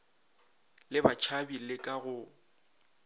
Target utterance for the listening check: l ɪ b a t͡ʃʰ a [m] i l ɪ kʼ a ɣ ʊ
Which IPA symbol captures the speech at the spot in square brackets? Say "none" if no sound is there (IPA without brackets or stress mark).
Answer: b